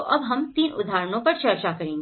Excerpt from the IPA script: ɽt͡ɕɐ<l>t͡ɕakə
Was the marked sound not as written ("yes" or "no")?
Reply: yes